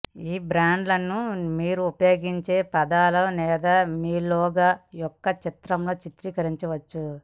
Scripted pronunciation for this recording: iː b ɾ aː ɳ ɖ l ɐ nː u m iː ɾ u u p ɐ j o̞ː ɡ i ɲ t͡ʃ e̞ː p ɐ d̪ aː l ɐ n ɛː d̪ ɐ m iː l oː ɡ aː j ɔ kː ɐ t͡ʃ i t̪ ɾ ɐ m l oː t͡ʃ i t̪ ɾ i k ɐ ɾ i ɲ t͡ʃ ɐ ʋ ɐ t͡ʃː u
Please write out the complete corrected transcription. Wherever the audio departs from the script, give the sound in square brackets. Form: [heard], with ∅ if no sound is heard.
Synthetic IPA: iː b ɾ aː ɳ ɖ l ɐ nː u m iː ɾ u u p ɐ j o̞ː ɡ i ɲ t͡ʃ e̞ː p ɐ d̪ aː l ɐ n ɛː d̪ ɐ m iː l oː ɡ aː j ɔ kː ɐ t͡ʃ i t̪ ɾ ɐ m l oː t͡ʃ i t̪ ɾ i k ɐ ɾ i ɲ t͡ʃ ɐ ʋ ɐ t͡ʃː u

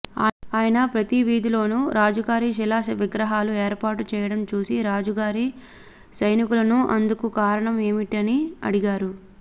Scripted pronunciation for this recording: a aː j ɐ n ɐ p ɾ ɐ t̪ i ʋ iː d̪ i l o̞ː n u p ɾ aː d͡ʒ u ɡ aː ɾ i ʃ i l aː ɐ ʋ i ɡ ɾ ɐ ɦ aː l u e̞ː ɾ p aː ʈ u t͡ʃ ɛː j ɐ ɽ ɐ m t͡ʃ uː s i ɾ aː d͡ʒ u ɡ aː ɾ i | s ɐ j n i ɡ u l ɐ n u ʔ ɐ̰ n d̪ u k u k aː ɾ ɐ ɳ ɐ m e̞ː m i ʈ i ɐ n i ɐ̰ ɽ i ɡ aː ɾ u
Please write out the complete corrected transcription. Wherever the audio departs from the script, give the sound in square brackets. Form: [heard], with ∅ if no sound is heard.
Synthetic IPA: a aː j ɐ n ɐ p ɾ ɐ t̪ i ʋ iː d̪ i l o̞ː n u [∅] ɾ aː d͡ʒ u ɡ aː ɾ i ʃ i l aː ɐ ʋ i ɡ ɾ ɐ ɦ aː l u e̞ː ɾ p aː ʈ u t͡ʃ ɛː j ɐ ɽ ɐ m t͡ʃ uː s i ɾ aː d͡ʒ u ɡ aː ɾ i | s ɐ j n i [k] u l ɐ n u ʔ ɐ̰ n d̪ u k u k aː ɾ ɐ ɳ ɐ m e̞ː m i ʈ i ɐ n i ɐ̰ ɽ i ɡ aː ɾ u

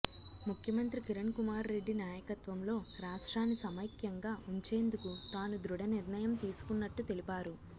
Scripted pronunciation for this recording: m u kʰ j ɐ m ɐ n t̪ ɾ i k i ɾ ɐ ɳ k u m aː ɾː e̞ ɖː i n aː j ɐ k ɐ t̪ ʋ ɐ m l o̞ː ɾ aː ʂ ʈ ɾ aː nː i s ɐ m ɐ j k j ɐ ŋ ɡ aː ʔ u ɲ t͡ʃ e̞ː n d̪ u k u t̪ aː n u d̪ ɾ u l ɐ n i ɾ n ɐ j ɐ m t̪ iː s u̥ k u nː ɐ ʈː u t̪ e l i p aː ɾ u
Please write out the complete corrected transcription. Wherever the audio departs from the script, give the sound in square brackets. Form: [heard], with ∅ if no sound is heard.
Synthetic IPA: m u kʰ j ɐ m ɐ n t̪ ɾ i k i ɾ ɐ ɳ k u m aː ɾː e̞ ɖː i n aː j ɐ k ɐ t̪ ʋ ɐ m l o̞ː ɾ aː ʂ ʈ ɾ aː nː i s ɐ m ɐ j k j ɐ ŋ ɡ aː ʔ u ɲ t͡ʃ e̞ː n d̪ u k u t̪ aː n u d̪ ɾ u [ɽ] ɐ n i ɾ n ɐ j ɐ m t̪ iː s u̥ k u nː ɐ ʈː u t̪ e l i p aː ɾ u

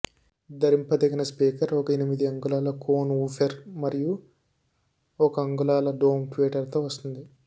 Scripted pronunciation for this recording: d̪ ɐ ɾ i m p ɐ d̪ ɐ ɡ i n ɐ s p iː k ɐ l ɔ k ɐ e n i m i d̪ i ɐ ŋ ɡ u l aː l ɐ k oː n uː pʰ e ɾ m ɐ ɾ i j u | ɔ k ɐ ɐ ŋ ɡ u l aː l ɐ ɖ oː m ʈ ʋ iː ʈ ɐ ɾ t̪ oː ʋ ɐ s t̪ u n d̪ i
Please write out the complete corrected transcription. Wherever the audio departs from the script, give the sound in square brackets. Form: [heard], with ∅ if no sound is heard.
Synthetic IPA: d̪ ɐ ɾ i m p ɐ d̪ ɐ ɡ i n ɐ s p iː k ɐ [ɾ] ɔ k ɐ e n i m i d̪ i ɐ ŋ ɡ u l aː l ɐ k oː n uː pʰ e ɾ m ɐ ɾ i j u | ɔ k ɐ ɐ ŋ ɡ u l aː l ɐ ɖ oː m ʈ ʋ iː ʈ ɐ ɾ t̪ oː ʋ ɐ s t̪ u n d̪ i

